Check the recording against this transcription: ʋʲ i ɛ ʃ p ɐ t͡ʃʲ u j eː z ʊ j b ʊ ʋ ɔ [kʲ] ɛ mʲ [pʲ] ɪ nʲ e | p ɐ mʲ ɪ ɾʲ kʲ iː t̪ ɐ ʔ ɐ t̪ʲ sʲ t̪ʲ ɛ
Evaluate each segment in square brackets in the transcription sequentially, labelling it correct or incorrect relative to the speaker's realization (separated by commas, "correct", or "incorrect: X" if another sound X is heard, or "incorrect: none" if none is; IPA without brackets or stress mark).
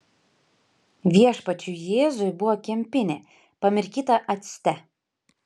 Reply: correct, correct